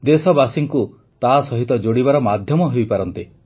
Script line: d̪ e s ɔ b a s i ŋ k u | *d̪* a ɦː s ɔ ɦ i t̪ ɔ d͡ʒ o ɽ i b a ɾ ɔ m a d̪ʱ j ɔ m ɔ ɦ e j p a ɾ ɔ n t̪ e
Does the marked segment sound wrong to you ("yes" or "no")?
yes